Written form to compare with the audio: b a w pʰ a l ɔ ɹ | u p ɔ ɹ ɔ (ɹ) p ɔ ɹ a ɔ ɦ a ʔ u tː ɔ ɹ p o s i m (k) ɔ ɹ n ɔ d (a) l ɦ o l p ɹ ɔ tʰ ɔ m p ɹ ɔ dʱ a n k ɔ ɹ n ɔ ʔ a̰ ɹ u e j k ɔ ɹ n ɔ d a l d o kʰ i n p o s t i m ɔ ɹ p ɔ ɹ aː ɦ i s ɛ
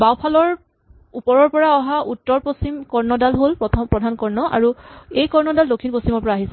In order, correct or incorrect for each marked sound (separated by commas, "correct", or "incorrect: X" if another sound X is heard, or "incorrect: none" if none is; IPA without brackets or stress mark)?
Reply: correct, correct, correct